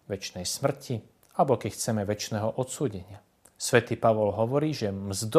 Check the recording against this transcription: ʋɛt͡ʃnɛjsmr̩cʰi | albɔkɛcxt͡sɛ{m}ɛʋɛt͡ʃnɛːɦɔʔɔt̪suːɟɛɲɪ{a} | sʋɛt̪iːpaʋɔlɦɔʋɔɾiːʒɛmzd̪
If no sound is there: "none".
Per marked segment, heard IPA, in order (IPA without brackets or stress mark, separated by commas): m, a